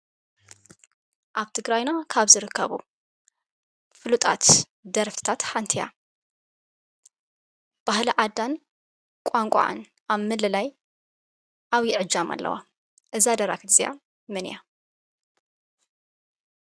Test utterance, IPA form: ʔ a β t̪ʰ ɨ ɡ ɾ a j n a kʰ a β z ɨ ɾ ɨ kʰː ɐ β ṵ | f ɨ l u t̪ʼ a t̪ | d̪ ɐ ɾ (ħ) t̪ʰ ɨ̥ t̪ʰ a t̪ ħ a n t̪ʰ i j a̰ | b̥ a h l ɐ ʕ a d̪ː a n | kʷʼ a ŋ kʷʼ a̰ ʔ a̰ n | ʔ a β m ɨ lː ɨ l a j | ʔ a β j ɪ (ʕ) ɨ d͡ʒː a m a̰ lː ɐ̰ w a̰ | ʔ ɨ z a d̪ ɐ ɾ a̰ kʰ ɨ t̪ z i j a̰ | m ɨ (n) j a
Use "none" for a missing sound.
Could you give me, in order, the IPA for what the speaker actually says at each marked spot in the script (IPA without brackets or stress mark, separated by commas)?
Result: f, ʕ, n